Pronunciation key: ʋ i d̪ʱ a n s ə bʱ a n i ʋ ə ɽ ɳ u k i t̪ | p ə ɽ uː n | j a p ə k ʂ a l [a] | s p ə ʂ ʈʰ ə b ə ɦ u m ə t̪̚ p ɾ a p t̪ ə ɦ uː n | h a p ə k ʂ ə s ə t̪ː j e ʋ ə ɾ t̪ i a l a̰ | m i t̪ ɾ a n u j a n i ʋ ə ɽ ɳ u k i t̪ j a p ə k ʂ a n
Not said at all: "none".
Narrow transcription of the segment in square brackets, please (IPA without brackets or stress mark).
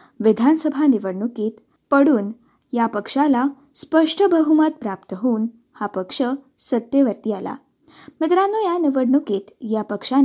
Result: a